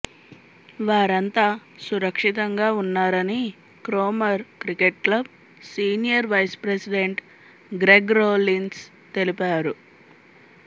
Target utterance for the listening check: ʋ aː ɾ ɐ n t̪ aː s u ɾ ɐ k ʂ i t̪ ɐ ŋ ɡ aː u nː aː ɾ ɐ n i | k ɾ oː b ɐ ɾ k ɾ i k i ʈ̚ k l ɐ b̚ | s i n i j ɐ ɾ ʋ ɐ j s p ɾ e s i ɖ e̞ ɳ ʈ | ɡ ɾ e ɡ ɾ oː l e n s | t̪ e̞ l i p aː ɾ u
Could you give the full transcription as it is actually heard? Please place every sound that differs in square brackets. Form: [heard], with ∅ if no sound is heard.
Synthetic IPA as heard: ʋ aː ɾ ɐ n t̪ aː s u ɾ ɐ k ʂ i t̪ ɐ ŋ ɡ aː u nː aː ɾ ɐ n i | k ɾ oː [m] ɐ ɾ k ɾ i k [e] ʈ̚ k l ɐ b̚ | s [iː] n i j ɐ ɾ ʋ ɐ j s p ɾ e s i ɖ e̞ ɳ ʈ | ɡ ɾ e ɡ ɾ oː l [i] n s | t̪ e̞ l i p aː ɾ u